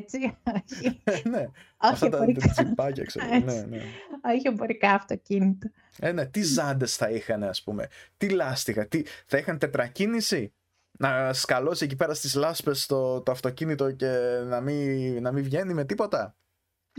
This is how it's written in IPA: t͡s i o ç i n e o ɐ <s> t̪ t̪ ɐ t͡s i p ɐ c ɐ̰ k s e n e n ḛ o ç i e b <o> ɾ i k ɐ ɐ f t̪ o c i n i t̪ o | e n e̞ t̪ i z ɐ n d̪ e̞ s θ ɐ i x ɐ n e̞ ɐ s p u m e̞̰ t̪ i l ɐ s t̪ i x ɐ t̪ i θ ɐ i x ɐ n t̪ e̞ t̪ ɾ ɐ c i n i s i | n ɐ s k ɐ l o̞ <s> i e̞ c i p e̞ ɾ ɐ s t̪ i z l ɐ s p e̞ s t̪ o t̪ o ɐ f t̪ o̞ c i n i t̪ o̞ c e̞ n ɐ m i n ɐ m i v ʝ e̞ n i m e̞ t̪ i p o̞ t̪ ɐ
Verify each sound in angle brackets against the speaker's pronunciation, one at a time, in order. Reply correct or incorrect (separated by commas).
incorrect, correct, correct